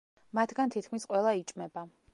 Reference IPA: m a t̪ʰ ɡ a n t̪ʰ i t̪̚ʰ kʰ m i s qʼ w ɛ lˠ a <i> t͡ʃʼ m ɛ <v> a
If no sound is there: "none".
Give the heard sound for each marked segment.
i, b

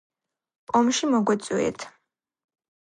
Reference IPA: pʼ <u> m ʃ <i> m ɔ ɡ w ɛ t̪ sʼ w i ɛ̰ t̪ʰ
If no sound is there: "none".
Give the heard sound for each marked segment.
ɔ, i

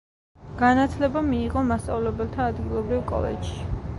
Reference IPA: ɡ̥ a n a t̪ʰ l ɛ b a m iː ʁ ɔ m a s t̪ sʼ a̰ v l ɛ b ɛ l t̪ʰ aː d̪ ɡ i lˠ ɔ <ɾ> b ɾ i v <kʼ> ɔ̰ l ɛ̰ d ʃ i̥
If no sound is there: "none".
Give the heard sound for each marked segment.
none, kʼ

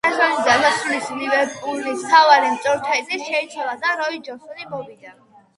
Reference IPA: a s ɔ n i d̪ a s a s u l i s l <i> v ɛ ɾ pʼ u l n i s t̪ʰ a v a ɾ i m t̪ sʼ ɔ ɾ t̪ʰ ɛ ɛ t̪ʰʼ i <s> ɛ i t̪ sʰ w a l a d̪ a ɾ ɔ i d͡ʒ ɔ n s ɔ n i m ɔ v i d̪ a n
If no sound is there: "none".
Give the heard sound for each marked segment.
i, ʃ

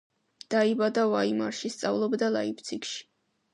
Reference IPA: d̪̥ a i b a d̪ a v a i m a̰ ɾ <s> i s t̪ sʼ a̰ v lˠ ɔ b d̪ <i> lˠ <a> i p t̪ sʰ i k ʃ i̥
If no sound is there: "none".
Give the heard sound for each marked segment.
ʃ, a, a

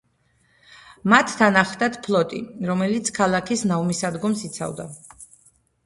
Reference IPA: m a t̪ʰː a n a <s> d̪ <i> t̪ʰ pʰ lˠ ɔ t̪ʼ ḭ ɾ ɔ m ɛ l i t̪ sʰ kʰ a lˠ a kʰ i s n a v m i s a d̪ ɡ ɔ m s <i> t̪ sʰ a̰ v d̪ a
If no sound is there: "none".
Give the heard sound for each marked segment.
χ, a, i

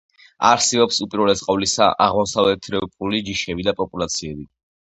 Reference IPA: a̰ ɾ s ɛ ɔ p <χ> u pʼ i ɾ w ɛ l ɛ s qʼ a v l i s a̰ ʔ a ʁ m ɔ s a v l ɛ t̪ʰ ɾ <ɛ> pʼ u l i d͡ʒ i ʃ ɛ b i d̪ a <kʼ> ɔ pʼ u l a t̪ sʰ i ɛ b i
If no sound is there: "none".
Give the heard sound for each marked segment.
s, ɛ, pʼ

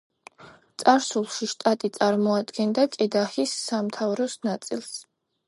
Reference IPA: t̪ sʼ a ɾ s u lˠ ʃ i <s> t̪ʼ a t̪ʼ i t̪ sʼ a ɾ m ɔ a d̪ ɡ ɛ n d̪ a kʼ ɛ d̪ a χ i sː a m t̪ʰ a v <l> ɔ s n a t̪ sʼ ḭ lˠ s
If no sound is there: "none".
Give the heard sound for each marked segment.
ʃ, ɾ

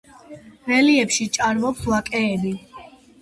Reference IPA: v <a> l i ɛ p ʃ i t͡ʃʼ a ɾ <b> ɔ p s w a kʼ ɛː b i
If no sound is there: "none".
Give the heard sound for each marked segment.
ɛ, m

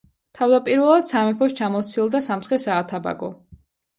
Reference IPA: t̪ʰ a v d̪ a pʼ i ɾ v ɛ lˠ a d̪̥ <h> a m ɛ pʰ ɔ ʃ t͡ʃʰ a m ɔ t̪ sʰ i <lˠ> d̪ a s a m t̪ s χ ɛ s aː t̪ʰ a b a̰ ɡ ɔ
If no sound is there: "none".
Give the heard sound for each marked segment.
s, lˠ

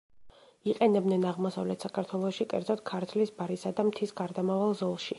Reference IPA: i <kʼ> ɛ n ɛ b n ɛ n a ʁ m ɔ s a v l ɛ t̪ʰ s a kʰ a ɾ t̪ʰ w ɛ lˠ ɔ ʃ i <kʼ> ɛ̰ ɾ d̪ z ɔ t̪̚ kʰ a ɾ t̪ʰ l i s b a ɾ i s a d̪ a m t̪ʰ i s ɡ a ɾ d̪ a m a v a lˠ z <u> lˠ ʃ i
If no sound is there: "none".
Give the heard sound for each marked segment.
qʼ, kʼ, ɔ

